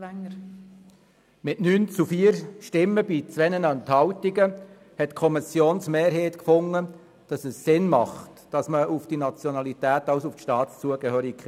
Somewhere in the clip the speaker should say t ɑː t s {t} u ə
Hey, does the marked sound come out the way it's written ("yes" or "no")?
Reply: no